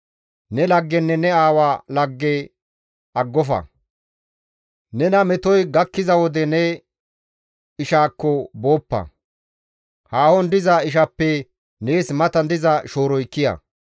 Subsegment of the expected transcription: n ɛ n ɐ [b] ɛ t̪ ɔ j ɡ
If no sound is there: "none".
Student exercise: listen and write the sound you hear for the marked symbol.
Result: m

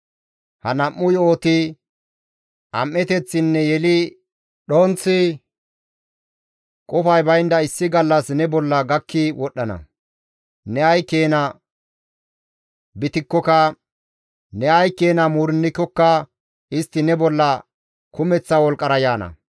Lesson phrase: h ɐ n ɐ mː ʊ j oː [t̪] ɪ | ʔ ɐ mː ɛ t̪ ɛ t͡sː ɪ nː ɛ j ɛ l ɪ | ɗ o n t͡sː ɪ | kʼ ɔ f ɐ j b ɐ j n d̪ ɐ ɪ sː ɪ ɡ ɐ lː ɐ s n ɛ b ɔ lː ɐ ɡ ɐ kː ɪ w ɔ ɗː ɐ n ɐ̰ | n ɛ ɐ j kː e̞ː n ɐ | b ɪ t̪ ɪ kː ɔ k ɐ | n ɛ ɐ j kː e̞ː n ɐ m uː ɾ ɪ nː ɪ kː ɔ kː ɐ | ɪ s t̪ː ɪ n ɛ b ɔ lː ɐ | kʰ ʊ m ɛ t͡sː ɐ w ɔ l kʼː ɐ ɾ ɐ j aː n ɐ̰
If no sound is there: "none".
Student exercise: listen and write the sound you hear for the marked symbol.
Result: t̪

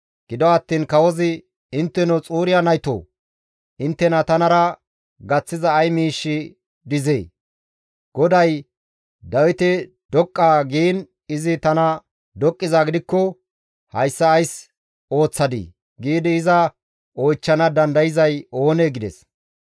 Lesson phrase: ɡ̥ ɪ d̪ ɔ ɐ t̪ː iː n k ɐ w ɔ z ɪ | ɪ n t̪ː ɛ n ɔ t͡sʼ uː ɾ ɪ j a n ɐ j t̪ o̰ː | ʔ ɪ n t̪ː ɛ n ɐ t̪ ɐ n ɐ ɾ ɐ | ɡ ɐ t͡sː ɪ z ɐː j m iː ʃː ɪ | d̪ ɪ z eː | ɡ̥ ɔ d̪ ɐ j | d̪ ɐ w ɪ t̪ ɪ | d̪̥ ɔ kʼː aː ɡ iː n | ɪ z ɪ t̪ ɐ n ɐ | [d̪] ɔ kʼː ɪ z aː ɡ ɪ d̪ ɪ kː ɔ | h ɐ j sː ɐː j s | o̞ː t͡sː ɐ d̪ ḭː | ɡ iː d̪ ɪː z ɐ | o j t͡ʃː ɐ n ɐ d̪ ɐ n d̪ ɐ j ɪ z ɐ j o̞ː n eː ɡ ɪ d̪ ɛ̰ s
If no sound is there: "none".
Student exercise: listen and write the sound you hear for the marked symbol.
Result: d̪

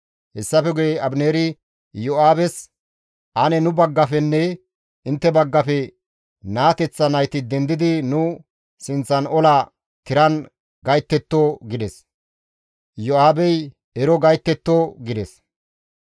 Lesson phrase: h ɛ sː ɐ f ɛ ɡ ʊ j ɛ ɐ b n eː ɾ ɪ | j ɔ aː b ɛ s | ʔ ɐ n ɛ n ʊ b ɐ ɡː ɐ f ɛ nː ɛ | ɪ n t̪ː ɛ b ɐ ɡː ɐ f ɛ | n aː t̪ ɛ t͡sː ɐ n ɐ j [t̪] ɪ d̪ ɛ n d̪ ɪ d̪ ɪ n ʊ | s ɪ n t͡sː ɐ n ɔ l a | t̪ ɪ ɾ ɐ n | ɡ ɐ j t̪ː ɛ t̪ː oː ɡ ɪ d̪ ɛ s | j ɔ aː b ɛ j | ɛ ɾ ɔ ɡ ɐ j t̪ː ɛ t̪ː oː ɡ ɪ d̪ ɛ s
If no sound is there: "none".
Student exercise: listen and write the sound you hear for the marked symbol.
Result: t̪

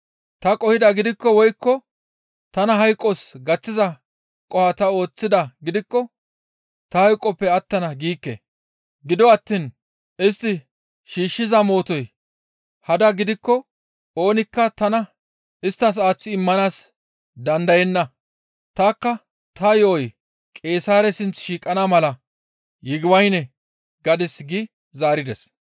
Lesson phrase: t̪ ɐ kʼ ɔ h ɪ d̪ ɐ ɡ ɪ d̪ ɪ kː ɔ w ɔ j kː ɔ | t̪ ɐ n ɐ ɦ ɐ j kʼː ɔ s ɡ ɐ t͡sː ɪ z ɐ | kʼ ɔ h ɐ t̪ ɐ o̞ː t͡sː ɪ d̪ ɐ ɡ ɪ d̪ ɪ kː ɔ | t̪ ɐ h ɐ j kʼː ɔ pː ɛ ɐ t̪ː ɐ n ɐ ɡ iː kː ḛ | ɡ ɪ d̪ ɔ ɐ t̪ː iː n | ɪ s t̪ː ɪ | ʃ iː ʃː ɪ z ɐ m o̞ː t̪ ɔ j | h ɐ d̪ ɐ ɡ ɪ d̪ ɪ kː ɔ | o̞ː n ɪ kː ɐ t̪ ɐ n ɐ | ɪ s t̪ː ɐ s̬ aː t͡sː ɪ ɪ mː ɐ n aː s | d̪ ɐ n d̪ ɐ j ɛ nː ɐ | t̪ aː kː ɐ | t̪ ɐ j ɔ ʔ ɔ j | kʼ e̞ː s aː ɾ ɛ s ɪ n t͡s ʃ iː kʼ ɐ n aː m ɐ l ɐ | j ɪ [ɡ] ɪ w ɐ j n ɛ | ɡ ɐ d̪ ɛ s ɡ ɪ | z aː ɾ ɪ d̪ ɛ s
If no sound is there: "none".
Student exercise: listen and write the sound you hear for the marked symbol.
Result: ɡ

